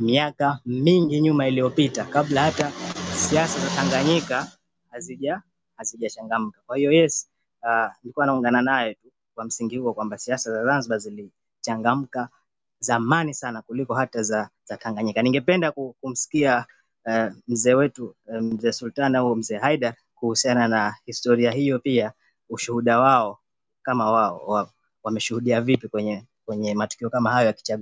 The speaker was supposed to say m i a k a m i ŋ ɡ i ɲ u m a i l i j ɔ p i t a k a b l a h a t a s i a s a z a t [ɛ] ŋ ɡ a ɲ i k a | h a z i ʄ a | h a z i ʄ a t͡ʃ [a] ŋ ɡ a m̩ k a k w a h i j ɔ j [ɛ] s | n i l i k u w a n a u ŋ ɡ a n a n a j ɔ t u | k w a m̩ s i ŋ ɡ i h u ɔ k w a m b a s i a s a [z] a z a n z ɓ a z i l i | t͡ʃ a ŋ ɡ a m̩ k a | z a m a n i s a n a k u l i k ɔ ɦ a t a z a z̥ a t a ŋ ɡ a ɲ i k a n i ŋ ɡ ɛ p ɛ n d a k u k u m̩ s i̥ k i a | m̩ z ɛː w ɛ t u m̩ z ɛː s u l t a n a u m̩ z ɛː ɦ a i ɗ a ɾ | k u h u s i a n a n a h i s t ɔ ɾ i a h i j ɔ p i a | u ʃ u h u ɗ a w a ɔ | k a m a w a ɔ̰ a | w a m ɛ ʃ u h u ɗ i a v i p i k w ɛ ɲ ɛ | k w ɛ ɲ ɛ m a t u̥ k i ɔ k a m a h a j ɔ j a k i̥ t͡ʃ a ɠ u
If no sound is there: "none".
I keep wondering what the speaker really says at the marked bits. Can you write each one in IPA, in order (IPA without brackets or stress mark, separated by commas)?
a, a, ɛ, z